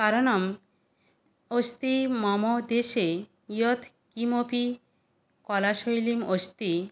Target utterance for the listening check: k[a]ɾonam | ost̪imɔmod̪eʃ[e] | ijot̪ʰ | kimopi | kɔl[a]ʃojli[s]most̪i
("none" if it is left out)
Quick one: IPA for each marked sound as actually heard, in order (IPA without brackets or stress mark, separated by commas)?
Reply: a, e, a, none